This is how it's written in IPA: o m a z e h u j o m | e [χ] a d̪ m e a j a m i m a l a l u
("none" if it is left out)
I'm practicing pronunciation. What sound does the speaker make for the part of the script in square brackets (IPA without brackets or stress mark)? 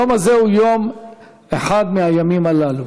ħ